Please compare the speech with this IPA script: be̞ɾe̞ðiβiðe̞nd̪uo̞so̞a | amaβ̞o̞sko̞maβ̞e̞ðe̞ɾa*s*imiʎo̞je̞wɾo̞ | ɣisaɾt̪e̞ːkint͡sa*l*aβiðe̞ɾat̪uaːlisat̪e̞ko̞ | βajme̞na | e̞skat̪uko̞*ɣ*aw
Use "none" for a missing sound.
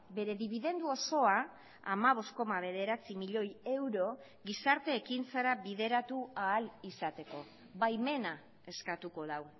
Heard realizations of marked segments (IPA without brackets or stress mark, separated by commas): t͡s, ɾ, ð